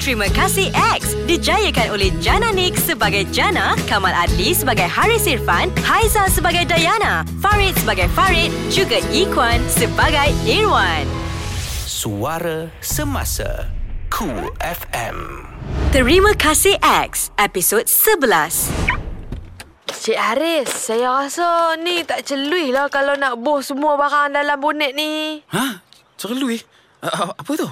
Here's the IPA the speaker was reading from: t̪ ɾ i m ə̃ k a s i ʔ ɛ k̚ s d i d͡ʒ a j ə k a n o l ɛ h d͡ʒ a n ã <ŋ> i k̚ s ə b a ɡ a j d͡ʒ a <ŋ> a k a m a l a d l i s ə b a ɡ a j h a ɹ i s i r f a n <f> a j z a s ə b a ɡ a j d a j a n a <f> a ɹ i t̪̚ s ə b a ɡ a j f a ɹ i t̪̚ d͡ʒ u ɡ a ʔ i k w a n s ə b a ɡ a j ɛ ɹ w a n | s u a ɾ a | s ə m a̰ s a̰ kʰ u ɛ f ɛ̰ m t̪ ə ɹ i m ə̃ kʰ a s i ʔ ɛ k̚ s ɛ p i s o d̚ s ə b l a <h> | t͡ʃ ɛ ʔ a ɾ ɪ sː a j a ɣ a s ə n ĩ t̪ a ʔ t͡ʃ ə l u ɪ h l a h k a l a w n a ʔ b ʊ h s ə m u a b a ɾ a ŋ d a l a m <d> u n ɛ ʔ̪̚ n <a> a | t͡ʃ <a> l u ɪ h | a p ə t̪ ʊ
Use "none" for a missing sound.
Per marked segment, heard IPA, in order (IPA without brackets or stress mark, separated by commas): n, n, h, f, s, b, i, ə